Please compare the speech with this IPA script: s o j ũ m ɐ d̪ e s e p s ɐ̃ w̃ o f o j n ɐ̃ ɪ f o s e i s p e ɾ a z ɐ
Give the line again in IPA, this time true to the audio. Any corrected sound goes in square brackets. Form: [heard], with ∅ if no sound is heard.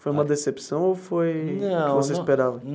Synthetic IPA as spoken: [f] o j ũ m ɐ d̪ e s e p s ɐ̃ w̃ o f o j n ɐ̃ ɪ [v] o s e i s p e ɾ a [v] ɐ